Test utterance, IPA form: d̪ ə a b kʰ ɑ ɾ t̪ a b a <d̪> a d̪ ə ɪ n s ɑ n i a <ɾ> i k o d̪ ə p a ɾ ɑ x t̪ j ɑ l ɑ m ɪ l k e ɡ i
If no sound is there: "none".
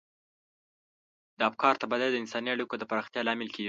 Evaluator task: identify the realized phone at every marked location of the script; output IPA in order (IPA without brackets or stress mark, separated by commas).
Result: d̪, ɽ